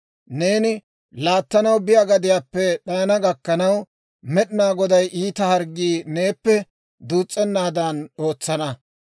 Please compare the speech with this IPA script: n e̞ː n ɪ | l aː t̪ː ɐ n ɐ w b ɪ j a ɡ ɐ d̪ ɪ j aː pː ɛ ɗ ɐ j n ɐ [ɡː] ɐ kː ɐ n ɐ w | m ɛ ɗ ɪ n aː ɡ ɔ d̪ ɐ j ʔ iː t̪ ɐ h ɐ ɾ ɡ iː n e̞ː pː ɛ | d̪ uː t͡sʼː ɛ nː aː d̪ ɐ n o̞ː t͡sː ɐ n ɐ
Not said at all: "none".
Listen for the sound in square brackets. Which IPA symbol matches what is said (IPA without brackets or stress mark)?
ɡ